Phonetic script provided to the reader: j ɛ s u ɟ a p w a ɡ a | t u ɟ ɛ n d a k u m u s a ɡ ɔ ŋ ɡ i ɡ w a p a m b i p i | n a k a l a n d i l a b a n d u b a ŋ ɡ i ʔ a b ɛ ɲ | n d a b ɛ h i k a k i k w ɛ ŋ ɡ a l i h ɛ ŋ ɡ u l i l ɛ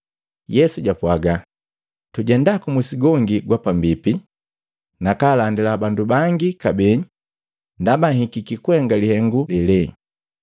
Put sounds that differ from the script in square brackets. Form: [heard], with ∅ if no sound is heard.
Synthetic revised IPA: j ɛ s u ɟ a p w a ɡ a | t u ɟ ɛ n d a k u m u s [i] ɡ ɔ ŋ ɡ i ɡ w a p a m b i p i | n a k a l a n d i l a b a n d u b a ŋ ɡ i [k] a b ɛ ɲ | n d a b [a] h i k [i] k i k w ɛ ŋ ɡ a l i h ɛ ŋ ɡ u l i l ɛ